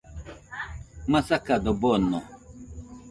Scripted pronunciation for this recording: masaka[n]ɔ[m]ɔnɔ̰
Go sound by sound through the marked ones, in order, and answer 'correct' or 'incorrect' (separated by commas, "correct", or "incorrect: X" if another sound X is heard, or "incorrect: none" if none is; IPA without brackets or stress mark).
incorrect: d, incorrect: b